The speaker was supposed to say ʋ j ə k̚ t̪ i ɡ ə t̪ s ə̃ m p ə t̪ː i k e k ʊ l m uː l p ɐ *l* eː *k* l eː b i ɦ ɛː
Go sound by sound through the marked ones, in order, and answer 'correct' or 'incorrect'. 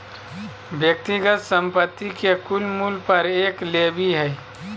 incorrect, correct

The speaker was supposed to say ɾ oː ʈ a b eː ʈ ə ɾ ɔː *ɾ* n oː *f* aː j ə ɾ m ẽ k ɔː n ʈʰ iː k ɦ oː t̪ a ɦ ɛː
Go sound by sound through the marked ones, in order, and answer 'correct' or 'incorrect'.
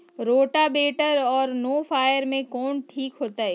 correct, correct

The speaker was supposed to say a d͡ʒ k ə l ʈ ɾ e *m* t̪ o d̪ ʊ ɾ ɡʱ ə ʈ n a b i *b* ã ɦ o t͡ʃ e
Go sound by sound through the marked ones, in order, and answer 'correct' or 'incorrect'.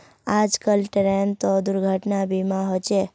incorrect, incorrect

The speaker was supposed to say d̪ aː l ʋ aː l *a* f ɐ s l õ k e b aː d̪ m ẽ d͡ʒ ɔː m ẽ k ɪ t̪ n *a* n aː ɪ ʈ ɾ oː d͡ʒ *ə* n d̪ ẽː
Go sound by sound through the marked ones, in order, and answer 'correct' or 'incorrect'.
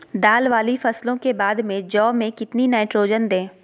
incorrect, incorrect, correct

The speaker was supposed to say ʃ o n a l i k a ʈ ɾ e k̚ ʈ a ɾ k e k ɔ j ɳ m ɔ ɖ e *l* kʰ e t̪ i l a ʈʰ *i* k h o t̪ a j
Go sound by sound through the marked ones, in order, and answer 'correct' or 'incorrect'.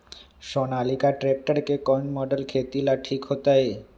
correct, correct

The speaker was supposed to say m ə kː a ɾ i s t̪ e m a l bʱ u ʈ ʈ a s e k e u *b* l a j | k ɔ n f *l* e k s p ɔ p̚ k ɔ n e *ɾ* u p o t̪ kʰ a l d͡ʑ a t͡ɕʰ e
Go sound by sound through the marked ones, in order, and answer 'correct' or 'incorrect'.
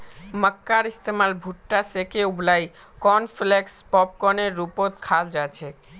correct, correct, incorrect

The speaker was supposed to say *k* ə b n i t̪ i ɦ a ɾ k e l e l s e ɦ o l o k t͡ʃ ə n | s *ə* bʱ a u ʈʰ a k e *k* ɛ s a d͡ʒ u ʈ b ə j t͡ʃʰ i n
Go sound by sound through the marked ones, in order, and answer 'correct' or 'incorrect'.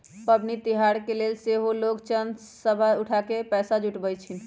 incorrect, correct, incorrect

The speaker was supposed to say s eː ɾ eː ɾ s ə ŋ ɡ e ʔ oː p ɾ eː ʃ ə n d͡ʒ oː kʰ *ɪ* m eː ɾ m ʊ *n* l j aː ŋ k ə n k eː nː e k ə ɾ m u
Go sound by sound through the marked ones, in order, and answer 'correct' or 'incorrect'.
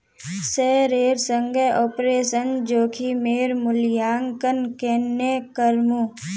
incorrect, incorrect

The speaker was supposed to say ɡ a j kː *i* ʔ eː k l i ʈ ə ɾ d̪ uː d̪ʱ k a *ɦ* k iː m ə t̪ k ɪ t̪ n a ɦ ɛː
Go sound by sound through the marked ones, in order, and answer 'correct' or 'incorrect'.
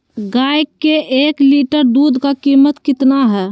incorrect, incorrect

